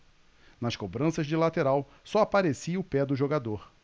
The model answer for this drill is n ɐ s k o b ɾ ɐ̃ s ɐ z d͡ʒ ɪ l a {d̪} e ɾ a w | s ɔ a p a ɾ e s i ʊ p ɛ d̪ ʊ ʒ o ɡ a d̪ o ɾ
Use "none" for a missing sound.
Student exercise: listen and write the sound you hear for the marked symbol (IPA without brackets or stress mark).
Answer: t̪